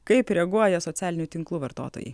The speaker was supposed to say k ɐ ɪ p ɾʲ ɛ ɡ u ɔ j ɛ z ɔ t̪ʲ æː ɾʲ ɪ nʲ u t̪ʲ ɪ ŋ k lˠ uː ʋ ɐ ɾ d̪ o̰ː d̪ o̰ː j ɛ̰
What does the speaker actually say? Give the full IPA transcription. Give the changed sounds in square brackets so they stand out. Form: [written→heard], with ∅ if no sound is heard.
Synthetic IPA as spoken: k ɐ ɪ p ɾʲ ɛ ɡ u ɔ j ɛ [z→s] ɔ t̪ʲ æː [ɾʲ→lʲ] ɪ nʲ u t̪ʲ ɪ ŋ k lˠ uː ʋ ɐ ɾ [d̪→t̪] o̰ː [d̪→t̪] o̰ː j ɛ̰

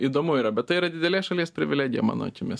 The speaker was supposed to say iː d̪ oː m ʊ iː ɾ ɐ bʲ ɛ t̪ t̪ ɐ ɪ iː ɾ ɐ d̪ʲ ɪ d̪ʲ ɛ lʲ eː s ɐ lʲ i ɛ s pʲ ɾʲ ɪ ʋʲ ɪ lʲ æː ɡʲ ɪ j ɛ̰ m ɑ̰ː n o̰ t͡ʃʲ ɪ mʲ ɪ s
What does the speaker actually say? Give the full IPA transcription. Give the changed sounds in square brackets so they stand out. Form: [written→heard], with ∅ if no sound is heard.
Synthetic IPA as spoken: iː d̪ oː m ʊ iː ɾ ɐ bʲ ɛ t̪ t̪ ɐ ɪ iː ɾ ɐ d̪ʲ ɪ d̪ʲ ɛ lʲ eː [s→ʃ] ɐ lʲ i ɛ s pʲ ɾʲ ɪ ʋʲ ɪ lʲ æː ɡʲ ɪ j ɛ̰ m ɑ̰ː n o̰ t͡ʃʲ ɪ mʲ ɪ s

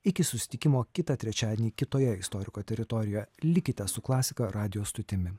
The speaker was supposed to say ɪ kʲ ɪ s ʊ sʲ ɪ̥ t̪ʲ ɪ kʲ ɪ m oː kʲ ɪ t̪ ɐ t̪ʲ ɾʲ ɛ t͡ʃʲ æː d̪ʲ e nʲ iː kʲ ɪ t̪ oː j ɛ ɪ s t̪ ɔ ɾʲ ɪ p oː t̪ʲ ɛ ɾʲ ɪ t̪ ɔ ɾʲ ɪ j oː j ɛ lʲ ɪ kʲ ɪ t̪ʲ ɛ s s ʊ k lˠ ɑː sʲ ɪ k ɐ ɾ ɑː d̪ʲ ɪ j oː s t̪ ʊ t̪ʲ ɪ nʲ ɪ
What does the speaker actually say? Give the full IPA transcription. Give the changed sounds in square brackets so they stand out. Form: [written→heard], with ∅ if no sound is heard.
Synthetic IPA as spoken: ɪ kʲ ɪ s ʊ sʲ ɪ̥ t̪ʲ ɪ kʲ ɪ m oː kʲ ɪ t̪ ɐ t̪ʲ ɾʲ ɛ t͡ʃʲ æː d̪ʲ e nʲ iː kʲ ɪ t̪ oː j ɛ ɪ s t̪ ɔ ɾʲ ɪ [p→k] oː t̪ʲ ɛ ɾʲ ɪ t̪ ɔ ɾʲ ɪ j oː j ɛ lʲ ɪ kʲ ɪ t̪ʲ ɛ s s ʊ k lˠ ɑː sʲ ɪ k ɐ ɾ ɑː d̪ʲ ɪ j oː s t̪ ʊ t̪ʲ ɪ [nʲ→mʲ] ɪ

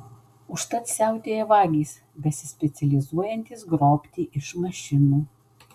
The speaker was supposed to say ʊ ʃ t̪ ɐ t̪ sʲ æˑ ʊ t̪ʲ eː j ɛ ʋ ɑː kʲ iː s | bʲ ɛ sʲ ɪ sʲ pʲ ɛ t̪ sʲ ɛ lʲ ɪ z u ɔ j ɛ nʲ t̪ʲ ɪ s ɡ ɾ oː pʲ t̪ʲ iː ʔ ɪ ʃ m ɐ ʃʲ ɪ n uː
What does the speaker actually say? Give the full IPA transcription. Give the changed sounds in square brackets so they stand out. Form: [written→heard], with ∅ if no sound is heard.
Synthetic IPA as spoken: ʊ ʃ t̪ ɐ t̪ sʲ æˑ ʊ t̪ʲ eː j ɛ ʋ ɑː [kʲ→ɡʲ] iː s | bʲ ɛ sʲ ɪ sʲ pʲ ɛ t̪ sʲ ɛ lʲ ɪ z u ɔ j ɛ nʲ t̪ʲ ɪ s ɡ ɾ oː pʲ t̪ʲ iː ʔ ɪ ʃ m ɐ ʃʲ ɪ n uː

